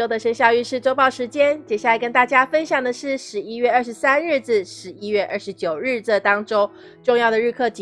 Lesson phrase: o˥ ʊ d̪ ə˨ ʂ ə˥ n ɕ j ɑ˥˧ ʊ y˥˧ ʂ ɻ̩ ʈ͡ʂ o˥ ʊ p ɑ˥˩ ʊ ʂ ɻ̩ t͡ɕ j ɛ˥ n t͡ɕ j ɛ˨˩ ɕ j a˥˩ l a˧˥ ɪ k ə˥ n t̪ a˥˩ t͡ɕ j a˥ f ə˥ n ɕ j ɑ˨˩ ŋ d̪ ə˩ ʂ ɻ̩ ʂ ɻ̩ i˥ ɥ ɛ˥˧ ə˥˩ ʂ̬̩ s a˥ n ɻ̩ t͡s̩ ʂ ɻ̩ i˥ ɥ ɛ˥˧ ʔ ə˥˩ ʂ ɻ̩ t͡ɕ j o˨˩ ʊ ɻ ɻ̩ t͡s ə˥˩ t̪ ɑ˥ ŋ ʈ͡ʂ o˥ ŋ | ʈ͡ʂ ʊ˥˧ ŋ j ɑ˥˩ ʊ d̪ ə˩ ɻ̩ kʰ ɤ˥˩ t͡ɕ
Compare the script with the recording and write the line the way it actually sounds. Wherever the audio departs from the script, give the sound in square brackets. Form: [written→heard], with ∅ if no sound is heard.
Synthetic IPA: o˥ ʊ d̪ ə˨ ʂ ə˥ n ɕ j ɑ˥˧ ʊ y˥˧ ʂ ɻ̩ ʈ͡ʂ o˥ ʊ p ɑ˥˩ ʊ ʂ ɻ̩ t͡ɕ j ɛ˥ n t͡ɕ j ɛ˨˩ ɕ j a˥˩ l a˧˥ ɪ k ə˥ n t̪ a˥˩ t͡ɕ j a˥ f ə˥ n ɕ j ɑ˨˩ ŋ d̪ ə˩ ʂ ɻ̩ ʂ ɻ̩ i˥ ɥ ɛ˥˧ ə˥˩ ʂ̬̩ s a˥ n ɻ̩ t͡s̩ ʂ ɻ̩ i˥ ɥ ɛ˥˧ ʔ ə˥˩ ʂ ɻ̩ t͡ɕ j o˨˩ ʊ ɻ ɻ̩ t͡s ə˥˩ t̪ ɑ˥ ŋ ʈ͡ʂ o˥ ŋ | ʈ͡ʂ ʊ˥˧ ŋ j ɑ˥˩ ʊ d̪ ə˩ ɻ̩ kʰ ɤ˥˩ t͡ɕ